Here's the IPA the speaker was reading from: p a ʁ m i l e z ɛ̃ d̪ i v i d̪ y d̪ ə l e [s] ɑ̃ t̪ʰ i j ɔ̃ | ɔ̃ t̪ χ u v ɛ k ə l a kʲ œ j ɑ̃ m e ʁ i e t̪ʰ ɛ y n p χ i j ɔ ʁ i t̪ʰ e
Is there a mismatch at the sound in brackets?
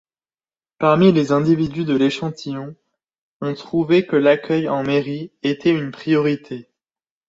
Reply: yes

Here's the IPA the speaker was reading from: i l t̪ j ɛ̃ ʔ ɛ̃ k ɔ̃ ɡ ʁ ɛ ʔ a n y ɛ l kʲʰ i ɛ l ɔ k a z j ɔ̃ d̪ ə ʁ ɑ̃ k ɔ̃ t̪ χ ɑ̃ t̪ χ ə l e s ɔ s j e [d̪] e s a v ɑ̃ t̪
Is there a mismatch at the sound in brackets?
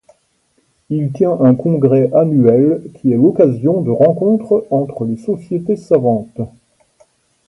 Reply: yes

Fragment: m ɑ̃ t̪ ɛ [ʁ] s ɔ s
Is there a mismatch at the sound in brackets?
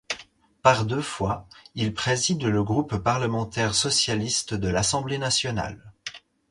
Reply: no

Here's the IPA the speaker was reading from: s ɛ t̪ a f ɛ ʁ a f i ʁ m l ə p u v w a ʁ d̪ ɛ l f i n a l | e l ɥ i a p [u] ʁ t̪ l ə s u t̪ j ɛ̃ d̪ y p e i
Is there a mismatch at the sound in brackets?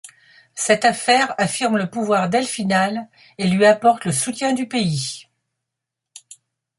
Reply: yes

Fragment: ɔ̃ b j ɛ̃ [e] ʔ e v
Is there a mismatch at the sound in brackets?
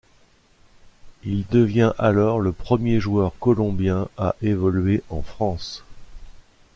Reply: yes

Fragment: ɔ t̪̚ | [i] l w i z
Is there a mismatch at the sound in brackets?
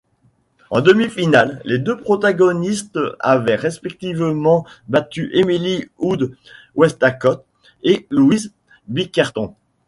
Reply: yes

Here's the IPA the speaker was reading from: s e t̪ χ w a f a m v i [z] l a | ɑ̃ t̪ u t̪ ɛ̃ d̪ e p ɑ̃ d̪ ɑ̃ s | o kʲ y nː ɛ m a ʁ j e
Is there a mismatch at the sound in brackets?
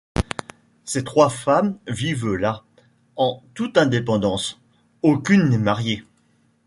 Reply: yes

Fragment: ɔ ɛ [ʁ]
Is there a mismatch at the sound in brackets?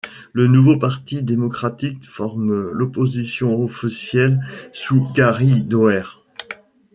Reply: no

